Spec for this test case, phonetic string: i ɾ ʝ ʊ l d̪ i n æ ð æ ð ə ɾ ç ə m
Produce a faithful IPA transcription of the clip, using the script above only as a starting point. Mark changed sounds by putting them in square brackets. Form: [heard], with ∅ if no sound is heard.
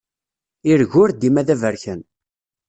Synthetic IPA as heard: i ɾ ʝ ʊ [ɾ] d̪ i [m] æ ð æ [v] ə ɾ ç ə [n]